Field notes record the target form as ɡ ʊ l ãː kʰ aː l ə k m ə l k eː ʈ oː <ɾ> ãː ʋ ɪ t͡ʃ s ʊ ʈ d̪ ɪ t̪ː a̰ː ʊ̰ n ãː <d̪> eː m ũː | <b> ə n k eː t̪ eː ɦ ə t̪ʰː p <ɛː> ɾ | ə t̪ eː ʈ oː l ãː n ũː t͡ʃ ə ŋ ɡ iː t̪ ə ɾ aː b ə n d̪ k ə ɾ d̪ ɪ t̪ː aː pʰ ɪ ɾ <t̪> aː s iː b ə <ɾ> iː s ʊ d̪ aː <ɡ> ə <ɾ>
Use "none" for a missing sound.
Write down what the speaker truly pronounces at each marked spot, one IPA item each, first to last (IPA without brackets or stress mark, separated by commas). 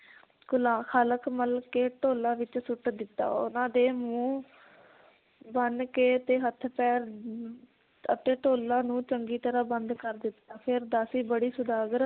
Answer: l, d̪, b, ɛː, d̪, ɽ, ɡ, ɾ